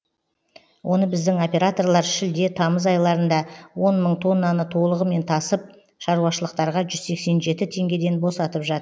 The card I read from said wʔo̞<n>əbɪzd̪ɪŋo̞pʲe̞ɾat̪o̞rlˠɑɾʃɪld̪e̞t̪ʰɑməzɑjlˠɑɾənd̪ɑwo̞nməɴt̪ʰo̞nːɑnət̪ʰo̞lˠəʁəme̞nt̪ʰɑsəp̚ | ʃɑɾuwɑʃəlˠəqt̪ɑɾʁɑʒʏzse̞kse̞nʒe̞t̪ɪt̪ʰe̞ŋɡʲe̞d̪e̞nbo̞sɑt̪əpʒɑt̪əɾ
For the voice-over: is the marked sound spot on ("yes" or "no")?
yes